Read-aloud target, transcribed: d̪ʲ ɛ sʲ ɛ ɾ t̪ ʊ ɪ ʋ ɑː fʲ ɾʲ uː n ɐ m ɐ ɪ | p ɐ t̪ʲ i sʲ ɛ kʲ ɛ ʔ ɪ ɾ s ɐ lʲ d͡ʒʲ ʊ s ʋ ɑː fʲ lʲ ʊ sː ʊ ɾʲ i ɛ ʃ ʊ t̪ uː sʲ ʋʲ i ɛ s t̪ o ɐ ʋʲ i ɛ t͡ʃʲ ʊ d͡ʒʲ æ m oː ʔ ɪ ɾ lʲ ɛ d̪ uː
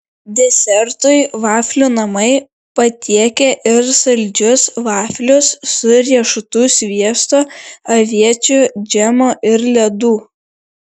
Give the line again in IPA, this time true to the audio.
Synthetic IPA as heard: d̪ʲ ɛ sʲ ɛ ɾ t̪ ʊ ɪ ʋ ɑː fʲ lʲ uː n ɐ m ɐ ɪ | p ɐ t̪ʲ i ɛ kʲ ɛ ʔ ɪ ɾ s ɐ lʲ d͡ʒʲ ʊ s ʋ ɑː fʲ lʲ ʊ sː ʊ ɾʲ i ɛ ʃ ʊ t̪ uː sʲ ʋʲ i ɛ s t̪ o ɐ ʋʲ i ɛ t͡ʃʲ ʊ d͡ʒʲ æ m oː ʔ ɪ ɾ lʲ ɛ d̪ uː

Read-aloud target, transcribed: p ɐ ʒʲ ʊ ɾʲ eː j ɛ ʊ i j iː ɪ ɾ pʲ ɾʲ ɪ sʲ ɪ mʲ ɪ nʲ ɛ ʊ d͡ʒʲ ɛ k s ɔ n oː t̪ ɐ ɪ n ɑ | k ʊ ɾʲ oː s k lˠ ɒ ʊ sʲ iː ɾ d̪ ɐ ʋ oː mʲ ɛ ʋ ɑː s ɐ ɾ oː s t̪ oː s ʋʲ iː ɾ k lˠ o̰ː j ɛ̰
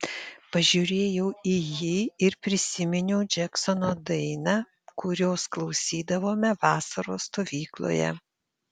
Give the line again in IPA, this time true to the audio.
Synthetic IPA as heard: p ɐ ʒʲ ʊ ɾʲ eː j ɛ ʊ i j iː ɪ ɾ pʲ ɾʲ ɪ sʲ ɪ mʲ ɪ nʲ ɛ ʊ d͡ʒʲ ɛ k s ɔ n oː d̪ ɐ ɪ n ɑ | k ʊ ɾʲ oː s k lˠ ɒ ʊ sʲ iː d̪ ɐ ʋ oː mʲ ɛ ʋ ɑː s ɐ ɾ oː s t̪ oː ʋʲ iː k lˠ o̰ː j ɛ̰

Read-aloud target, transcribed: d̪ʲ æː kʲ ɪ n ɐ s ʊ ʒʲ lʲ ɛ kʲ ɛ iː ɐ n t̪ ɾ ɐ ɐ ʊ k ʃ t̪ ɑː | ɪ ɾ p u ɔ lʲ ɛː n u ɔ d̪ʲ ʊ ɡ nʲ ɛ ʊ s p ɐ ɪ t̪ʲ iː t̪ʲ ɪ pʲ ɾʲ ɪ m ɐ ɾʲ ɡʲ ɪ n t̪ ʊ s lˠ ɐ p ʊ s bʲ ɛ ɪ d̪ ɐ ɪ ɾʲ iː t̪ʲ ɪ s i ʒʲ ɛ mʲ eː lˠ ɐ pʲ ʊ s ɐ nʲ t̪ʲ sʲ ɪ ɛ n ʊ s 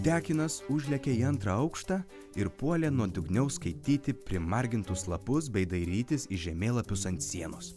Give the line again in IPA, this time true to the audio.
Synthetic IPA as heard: d̪ʲ æː kʲ ɪ n ɐ s ʊ ʒʲ lʲ ɛ kʲ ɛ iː ɐ n t̪ ɾ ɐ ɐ ʊ k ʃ t̪ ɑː | ɪ ɾ p u ɔ lʲ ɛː n u ɔ d̪ʲ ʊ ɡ nʲ ɛ ʊ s k ɐ ɪ t̪ʲ iː t̪ʲ ɪ pʲ ɾʲ ɪ m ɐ ɾʲ ɡʲ ɪ n t̪ ʊ s lˠ ɐ p ʊ s bʲ ɛ ɪ d̪ ɐ ɪ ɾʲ iː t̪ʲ ɪ s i ʒʲ ɛ mʲ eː lˠ ɐ pʲ ʊ s ɐ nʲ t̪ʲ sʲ i ɛ n ʊ s

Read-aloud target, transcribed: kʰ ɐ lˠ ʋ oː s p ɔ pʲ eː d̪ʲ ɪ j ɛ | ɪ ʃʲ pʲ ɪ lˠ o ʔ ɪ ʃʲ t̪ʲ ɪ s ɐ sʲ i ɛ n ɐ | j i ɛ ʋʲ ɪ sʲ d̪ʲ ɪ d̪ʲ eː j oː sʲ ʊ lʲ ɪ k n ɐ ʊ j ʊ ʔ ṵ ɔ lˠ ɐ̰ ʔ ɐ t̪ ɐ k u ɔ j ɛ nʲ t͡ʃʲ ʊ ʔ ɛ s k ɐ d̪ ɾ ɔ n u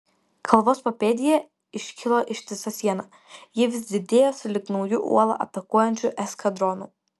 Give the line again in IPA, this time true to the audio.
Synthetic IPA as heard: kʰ ɐ lˠ ʋ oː s p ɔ pʲ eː d̪ʲ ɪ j ɛ | ɪ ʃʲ kʲ ɪ lˠ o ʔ ɪ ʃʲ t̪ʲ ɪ s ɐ sʲ i ɛ n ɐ | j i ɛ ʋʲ ɪ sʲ d̪ʲ ɪ d̪ʲ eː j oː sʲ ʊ lʲ ɪ k n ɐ ʊ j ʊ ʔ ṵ ɔ lˠ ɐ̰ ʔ ɐ t̪ ɐ k u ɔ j ɛ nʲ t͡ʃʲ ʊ ʔ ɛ s k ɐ d̪ ɾ ɔ n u

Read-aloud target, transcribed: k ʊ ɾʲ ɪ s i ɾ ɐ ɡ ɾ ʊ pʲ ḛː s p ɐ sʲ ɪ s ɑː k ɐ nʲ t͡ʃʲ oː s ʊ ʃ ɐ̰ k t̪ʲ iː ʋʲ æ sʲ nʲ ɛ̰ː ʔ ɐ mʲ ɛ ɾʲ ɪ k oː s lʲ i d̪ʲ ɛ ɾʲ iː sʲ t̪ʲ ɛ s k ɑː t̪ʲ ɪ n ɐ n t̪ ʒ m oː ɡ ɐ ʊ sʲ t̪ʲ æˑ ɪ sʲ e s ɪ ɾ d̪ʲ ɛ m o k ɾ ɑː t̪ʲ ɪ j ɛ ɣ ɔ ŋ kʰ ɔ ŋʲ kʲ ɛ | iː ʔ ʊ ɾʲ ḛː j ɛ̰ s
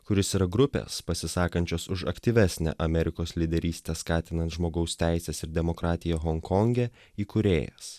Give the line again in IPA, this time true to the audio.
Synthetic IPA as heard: k ʊ ɾʲ ɪ s i ɾ ɐ ɡ ɾ ʊ pʲ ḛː s p ɐ sʲ ɪ s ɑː k ɐ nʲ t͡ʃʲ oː s ʊ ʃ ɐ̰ k t̪ʲ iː ʋʲ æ sʲ nʲ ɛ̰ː ʔ ɐ mʲ ɛ ɾʲ ɪ k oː s lʲ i d̪ʲ ɛ ɾʲ iː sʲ t̪ʲ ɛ s k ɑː t̪ʲ ɪ n ɐ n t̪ ʒ m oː ɡ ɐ ʊ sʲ t̪ʲ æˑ ɪ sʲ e s ɪ ɾ d̪ʲ ɛ m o k ɾ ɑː t̪ʲ ɪ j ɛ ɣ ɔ ŋ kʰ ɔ ŋʲ ɡʲ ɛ | iː k ʊ ɾʲ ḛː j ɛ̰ s

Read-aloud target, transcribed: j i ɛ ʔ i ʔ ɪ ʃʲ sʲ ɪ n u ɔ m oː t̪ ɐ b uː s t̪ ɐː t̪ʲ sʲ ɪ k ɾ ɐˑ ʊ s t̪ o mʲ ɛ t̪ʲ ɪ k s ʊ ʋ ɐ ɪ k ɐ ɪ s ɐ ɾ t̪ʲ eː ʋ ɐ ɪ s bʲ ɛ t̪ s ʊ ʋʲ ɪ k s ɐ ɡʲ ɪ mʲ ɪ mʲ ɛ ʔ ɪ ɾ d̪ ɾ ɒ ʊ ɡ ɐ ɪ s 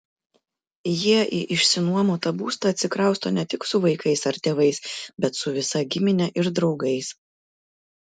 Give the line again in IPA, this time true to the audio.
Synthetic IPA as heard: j i ɛ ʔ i ʔ ɪ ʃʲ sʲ ɪ n u ɔ m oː t̪ ɐ b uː s t̪ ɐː t̪ʲ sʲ ɪ k ɾ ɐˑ ʊ s t̪ o nʲ ɛ t̪ʲ ɪ k s ʊ ʋ ɐ ɪ k ɐ ɪ s ɐ ɾ t̪ʲ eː ʋ ɐ ɪ s bʲ ɛ t̪ s ʊ ʋʲ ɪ s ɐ ɡʲ ɪ mʲ ɪ nʲ ɛ ʔ ɪ ɾ d̪ ɾ ɒ ʊ ɡ ɐ ɪ s

